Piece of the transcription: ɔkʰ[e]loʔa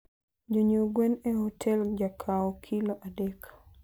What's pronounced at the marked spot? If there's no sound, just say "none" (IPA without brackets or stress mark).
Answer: i